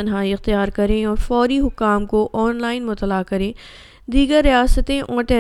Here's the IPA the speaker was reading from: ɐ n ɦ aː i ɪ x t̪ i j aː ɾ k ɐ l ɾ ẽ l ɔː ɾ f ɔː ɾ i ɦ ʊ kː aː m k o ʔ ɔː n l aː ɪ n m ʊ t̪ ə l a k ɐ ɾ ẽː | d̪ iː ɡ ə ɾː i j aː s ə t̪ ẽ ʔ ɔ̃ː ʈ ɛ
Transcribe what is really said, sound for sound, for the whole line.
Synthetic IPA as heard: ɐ n ɦ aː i ɪ x t̪ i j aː ɾ k ɐ ɾ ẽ ɔː ɾ f ɔː ɾ i ɦ ʊ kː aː m k o ʔ ɔː n l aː ɪ n m ʊ t̪ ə l a k ɐ ɾ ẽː | d̪ iː ɡ ə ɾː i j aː s ə t̪ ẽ ʔ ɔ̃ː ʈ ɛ